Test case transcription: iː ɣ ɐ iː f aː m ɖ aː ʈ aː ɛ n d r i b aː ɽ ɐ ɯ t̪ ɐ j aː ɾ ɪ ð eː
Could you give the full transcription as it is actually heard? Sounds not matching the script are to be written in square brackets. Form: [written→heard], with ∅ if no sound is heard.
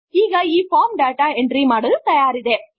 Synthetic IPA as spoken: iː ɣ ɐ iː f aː m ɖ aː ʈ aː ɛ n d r i [b→m] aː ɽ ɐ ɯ t̪ ɐ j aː ɾ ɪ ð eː